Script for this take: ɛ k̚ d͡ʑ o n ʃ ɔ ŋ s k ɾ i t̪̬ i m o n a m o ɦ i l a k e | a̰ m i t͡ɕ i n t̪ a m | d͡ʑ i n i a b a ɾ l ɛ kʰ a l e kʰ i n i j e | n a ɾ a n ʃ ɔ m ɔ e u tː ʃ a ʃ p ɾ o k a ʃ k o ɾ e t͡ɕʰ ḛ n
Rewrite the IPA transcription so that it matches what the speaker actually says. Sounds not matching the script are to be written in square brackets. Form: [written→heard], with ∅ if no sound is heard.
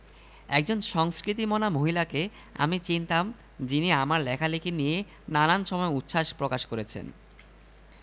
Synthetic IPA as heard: ɛ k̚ d͡ʑ o n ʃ ɔ ŋ s k ɾ i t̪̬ i m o n a m o ɦ i l a k e | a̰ m i t͡ɕ i n t̪ a m | d͡ʑ i n i a [b→m] a ɾ l ɛ kʰ a l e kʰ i n i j e | n a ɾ a n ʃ ɔ m ɔ e u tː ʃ a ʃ p ɾ o k a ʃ k o ɾ e t͡ɕʰ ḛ n